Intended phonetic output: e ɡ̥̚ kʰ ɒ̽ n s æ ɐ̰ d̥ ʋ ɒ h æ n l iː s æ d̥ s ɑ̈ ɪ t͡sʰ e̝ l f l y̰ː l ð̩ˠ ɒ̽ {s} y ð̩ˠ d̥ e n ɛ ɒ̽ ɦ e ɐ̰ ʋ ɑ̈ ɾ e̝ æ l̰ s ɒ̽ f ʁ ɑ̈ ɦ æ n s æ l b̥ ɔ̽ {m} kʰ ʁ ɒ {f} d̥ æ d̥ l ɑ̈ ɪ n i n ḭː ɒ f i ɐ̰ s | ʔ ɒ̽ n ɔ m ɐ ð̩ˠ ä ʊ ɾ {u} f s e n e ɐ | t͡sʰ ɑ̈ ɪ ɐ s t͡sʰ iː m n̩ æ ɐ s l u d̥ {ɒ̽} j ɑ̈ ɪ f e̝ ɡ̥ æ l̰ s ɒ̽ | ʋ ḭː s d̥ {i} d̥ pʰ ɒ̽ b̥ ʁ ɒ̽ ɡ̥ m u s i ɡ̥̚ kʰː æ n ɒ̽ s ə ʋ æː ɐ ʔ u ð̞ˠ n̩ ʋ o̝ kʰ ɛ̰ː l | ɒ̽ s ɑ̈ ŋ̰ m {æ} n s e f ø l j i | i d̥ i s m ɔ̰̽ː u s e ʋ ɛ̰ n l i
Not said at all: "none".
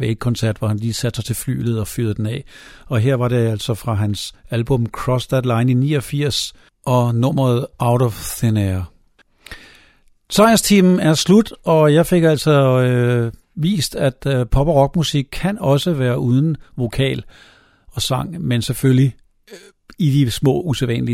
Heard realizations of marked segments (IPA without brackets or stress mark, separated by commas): f, m, s, ɒ, ɒ̽, æ, e